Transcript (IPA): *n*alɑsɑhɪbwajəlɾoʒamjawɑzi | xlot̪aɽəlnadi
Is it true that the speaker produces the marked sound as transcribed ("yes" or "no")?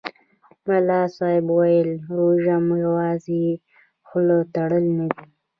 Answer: no